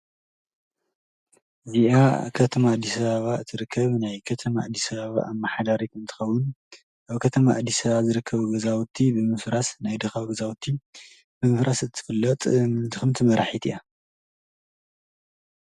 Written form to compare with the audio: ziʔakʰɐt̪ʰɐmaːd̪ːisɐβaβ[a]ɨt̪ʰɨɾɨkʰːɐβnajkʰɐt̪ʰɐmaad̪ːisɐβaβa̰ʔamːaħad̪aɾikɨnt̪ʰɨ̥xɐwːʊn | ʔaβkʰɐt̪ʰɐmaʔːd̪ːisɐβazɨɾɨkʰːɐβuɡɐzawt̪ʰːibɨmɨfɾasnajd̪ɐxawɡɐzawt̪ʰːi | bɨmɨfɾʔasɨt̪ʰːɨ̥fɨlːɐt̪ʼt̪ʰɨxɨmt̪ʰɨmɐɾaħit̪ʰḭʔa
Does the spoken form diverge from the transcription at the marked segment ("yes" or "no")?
no